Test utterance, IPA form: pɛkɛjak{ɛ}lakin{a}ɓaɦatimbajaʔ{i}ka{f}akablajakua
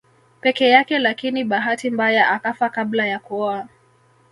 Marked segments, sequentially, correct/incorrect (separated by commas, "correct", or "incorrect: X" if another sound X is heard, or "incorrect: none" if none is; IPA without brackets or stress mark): correct, incorrect: i, incorrect: a, correct